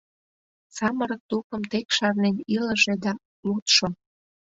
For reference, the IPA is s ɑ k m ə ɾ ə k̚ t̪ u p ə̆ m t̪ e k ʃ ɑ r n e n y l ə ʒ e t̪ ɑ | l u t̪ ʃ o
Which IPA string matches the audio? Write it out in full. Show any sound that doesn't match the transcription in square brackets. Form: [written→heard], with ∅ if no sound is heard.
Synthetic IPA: s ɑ [k→∅] m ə ɾ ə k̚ t̪ u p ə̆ m t̪ e k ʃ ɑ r n e n [y→i] l ə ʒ e [t̪→d̪] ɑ | l u t̪ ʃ o